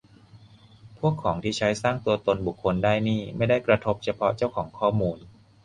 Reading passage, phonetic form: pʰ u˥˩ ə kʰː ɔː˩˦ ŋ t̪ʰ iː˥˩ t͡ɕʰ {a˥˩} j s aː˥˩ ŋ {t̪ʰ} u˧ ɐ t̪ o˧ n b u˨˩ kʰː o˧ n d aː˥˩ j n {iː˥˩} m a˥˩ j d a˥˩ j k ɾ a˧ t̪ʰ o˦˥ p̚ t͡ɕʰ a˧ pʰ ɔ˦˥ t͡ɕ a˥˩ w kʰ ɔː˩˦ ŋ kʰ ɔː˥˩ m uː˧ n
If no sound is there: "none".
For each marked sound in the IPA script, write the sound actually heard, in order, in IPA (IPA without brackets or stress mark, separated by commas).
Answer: a˦˥, t̪, iː˥˩